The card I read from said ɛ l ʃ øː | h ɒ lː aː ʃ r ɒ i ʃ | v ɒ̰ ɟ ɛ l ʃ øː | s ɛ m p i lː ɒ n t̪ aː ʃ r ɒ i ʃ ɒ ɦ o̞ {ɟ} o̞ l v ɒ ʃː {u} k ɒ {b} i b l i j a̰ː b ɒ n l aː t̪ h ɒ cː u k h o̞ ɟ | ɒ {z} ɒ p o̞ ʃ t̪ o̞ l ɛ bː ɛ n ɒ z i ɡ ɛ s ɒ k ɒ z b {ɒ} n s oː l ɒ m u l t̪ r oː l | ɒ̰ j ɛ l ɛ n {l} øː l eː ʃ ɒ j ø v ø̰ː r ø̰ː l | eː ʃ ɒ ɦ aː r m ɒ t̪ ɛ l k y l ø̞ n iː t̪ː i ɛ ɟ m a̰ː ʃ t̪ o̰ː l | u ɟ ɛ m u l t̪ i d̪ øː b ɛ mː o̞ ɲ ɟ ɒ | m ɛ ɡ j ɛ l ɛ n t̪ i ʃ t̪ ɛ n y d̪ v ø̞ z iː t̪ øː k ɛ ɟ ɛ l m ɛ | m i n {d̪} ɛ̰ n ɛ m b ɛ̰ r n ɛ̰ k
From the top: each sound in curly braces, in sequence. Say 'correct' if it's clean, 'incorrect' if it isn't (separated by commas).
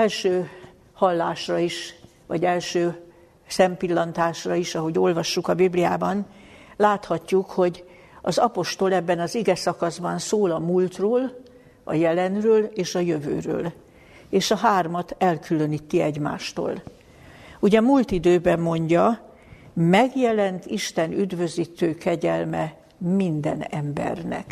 correct, correct, correct, correct, correct, incorrect, correct